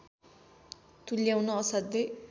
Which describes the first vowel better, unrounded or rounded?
rounded